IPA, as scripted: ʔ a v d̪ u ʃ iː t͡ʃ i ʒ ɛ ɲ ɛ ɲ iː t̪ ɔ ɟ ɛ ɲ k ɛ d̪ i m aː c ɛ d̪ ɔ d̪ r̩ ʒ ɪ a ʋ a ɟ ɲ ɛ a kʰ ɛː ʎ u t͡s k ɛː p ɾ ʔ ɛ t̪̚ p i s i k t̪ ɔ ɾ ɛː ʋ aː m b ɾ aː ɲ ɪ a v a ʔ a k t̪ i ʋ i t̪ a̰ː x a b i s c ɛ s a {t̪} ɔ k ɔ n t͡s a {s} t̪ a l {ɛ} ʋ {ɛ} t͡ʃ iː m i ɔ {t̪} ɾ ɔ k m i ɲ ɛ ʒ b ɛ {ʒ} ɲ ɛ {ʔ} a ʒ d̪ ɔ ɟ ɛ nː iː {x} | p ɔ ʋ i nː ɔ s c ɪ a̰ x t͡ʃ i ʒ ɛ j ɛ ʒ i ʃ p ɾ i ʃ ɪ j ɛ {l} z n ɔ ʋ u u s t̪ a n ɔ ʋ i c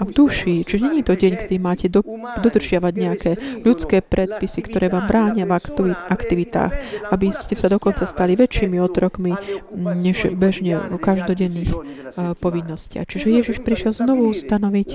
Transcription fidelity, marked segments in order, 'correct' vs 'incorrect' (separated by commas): incorrect, correct, incorrect, correct, correct, correct, incorrect, correct, correct